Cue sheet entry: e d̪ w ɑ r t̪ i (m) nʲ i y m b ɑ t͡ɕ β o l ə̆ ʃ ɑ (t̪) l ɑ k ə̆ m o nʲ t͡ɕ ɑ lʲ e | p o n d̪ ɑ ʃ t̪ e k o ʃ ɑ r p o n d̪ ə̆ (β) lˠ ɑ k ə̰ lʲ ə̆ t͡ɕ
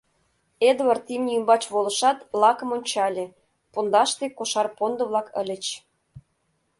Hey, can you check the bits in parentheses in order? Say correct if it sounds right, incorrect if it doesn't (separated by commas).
correct, correct, correct